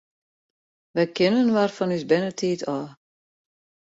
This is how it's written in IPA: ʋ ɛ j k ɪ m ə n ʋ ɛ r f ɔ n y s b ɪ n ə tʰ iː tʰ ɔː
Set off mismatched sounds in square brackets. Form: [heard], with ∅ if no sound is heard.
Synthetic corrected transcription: ʋ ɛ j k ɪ [n] ə n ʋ [a] r f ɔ n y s b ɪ n ə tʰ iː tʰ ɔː